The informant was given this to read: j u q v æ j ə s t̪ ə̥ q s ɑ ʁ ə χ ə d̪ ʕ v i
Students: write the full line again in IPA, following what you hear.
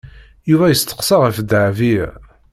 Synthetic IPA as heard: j u v æ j ə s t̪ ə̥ q s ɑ ʁ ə f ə d̪ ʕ v i